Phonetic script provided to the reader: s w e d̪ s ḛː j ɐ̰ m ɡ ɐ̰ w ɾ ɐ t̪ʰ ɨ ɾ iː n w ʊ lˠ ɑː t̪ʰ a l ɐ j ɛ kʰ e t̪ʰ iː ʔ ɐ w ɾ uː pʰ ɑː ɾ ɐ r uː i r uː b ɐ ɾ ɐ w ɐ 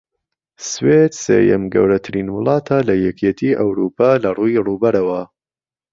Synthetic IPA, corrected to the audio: s w e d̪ s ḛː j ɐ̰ m ɡ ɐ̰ w ɾ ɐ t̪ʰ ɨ ɾ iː n w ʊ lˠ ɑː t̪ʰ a l ɐ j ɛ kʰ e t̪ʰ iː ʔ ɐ w ɾ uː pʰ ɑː l ɐ r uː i r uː b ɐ ɾ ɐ w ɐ